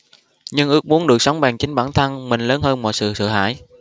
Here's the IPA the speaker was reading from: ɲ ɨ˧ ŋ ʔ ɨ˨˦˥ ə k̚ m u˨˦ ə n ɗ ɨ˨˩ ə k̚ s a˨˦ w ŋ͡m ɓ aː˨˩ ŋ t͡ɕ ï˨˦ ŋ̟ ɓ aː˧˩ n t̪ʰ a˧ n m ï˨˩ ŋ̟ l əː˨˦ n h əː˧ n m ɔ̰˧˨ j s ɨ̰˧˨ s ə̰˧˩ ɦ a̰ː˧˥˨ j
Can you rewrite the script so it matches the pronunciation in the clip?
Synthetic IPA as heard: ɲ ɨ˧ ŋ ʔ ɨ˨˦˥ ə k̚ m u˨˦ ə n ɗ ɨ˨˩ ə k̚ s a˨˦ w ŋ͡m ɓ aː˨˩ ŋ t͡ɕ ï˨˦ ŋ̟ ɓ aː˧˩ n t̪ʰ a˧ n m ï˨˩ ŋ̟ l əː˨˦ n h əː˧ n m ɔ̰˧˨ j s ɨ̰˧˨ s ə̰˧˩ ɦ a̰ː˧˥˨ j